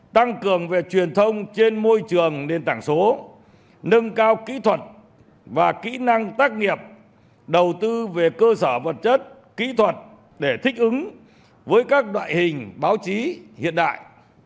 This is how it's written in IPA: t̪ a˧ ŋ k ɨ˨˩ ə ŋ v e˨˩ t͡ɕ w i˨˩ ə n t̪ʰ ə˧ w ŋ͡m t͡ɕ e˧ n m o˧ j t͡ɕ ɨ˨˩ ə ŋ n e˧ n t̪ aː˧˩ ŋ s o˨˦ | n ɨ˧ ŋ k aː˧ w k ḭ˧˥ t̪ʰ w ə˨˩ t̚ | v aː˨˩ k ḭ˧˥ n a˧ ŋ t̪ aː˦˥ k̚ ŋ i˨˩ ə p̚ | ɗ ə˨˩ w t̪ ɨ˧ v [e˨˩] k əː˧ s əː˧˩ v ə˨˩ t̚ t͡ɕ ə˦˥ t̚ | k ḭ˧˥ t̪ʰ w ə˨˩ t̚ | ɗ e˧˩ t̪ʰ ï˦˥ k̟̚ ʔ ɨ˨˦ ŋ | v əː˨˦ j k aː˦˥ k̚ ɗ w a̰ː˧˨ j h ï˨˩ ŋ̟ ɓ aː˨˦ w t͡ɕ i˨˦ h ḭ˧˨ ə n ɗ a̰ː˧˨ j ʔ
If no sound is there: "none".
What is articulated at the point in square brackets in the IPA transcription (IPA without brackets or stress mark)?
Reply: e˨˩